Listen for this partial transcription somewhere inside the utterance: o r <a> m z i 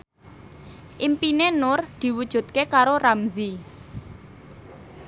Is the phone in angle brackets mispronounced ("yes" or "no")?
no